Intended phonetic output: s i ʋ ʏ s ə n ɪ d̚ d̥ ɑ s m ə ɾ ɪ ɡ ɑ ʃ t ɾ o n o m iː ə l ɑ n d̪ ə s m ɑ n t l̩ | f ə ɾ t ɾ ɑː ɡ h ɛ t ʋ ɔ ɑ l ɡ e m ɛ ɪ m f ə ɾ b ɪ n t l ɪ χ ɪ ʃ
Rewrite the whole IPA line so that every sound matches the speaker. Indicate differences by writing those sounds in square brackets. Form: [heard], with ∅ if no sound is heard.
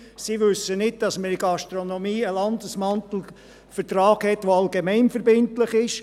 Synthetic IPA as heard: s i ʋ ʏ s ə n ɪ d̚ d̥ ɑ s m ə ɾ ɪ ɡ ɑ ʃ t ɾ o n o m iː ə l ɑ n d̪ ə s m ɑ n t l̩ | f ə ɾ t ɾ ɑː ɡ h ɛ t ʋ [o] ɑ l ɡ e m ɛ ɪ [n] f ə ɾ b ɪ n t l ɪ χ ɪ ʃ